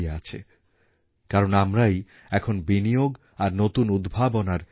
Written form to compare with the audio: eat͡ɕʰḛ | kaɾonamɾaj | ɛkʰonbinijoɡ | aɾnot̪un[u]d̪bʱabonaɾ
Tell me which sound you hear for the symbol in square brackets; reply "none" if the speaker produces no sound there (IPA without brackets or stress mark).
u